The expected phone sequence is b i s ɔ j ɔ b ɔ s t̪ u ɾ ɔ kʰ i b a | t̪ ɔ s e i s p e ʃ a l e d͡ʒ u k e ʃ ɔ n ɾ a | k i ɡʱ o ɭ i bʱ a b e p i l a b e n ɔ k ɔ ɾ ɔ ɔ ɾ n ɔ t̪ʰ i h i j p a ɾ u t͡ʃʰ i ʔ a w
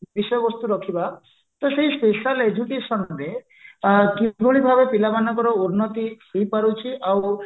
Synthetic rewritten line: b i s ɔ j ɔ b ɔ s t̪ u ɾ ɔ kʰ i b a | t̪ ɔ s e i s p e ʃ a l e d͡ʒ u k e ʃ ɔ n ɾ e | k i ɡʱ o ɭ i bʱ a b e p i l a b a n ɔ k ɔ ɾ ɔ u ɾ n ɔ t̪ i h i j p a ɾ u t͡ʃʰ i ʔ a w